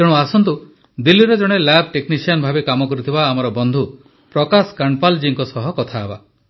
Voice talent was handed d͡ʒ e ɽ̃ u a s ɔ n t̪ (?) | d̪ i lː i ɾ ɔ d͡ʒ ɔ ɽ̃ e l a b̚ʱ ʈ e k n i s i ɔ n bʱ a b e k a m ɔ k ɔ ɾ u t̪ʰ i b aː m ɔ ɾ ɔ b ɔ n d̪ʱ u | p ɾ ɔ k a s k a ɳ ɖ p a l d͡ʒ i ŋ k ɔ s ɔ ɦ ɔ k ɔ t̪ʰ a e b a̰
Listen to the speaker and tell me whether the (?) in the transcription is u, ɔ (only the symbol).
u